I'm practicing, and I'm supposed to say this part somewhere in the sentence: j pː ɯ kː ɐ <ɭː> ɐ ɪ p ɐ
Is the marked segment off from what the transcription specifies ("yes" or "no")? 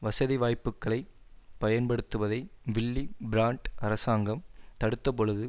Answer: yes